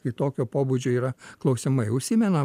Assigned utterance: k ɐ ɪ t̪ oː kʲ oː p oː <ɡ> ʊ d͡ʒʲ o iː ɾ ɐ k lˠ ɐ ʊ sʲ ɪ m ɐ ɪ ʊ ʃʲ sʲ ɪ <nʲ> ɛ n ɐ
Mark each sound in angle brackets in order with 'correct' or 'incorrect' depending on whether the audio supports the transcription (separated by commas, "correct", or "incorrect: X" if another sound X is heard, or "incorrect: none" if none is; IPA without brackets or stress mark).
incorrect: b, incorrect: mʲ